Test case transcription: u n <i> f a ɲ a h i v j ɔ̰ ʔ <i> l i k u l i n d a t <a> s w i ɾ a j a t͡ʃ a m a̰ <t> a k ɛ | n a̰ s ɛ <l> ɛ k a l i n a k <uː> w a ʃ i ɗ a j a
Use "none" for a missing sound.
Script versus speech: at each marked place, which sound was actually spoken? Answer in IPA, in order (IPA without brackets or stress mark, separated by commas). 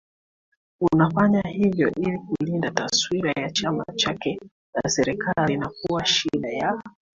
a, i, a, t͡ʃ, ɾ, u